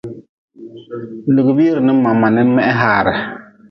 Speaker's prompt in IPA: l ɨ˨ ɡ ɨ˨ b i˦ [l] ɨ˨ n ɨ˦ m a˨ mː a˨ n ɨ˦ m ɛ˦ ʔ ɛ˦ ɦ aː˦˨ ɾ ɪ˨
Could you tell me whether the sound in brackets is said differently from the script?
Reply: yes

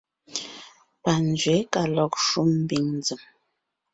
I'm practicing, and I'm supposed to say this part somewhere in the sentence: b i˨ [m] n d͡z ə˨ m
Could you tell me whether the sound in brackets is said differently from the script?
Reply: yes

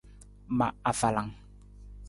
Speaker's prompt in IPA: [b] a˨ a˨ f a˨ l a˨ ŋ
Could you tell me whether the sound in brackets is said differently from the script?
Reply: yes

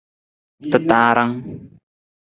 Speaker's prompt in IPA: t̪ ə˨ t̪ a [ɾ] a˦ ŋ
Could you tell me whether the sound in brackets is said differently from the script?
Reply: no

